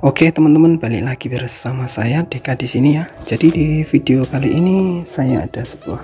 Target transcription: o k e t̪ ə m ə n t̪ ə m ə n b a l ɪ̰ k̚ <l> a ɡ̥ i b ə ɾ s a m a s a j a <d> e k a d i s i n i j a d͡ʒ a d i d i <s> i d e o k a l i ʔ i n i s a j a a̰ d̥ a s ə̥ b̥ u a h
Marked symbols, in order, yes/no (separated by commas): yes, yes, no